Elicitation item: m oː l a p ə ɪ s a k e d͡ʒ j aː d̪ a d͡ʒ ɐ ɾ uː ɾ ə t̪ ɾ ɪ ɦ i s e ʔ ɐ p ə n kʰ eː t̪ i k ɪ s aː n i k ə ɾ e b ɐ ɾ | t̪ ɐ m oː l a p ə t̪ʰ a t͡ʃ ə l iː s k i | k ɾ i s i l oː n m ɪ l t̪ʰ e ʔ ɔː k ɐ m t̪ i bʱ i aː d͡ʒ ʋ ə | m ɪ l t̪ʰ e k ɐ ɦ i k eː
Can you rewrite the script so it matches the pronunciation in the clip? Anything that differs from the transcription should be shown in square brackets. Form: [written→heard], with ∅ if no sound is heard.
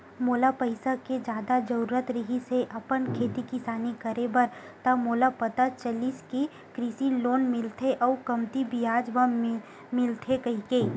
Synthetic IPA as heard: m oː l a p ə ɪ s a k e d͡ʒ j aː d̪ a d͡ʒ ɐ ɾ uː ɾ ə t̪ ɾ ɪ ɦ i s e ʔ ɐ p ə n kʰ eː t̪ i k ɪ s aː n i k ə ɾ e b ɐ ɾ | t̪ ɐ m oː l a p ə [t̪ʰ→t̪] a t͡ʃ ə l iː s k i | k ɾ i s i l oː n m ɪ l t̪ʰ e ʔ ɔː k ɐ m t̪ i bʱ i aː d͡ʒ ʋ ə | m ɪ l t̪ʰ e k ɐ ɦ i k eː